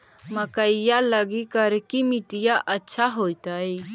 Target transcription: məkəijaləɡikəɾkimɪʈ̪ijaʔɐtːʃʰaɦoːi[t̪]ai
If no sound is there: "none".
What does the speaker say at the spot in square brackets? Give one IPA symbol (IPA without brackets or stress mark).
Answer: t̪